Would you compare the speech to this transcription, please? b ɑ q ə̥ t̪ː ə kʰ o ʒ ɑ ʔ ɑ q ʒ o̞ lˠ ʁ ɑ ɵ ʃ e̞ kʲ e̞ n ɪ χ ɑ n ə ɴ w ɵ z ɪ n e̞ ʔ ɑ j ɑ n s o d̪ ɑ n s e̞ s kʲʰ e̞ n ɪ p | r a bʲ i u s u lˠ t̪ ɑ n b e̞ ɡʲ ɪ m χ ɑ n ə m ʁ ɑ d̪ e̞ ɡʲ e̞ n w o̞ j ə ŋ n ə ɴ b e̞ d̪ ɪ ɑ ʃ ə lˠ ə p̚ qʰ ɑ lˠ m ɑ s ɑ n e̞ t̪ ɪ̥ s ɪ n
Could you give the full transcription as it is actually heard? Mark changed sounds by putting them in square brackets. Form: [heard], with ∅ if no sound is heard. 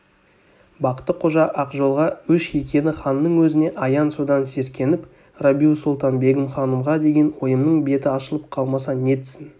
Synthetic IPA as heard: b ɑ q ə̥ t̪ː ə [qʰ] o ʒ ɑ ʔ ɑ q ʒ o̞ lˠ ʁ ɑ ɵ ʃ e̞ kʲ e̞ n ɪ χ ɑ [nː] ə ɴ w ɵ z ɪ n e̞ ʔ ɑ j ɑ n s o d̪ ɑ n s e̞ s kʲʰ e̞ n ɪ p | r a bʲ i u s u lˠ t̪ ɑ n b e̞ ɡʲ ɪ m χ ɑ n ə m ʁ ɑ d̪ e̞ ɡʲ e̞ n w o̞ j ə [m] n ə ɴ b e̞ [t̪] ɪ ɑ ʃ ə lˠ ə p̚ qʰ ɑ lˠ m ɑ s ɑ n e̞ t̪ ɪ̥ s ɪ n